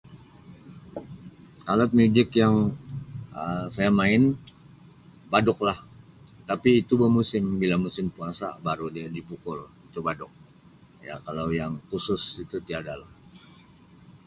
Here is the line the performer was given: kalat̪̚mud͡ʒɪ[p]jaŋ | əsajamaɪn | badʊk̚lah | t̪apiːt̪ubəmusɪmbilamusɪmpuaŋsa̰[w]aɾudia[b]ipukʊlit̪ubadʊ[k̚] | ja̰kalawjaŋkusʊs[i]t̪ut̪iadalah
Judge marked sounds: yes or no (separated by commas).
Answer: no, no, no, yes, yes